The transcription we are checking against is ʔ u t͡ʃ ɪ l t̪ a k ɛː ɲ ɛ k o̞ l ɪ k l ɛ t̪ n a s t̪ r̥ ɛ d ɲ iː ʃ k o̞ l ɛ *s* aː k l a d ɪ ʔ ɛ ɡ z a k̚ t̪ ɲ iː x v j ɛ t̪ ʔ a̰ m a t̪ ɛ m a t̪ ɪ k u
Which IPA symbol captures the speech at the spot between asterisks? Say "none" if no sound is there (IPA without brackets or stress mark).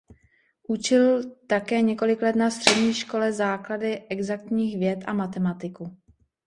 z